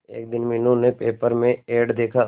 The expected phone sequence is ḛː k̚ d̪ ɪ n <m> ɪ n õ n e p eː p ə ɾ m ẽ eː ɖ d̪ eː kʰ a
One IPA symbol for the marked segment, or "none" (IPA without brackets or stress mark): m